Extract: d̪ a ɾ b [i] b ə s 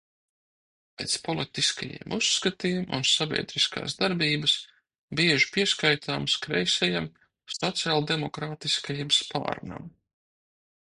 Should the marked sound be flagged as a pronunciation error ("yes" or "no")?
yes